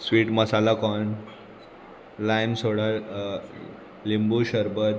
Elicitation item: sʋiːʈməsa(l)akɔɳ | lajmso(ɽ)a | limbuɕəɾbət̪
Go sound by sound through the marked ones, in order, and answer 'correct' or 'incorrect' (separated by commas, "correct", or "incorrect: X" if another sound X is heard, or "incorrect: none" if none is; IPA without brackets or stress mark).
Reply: correct, correct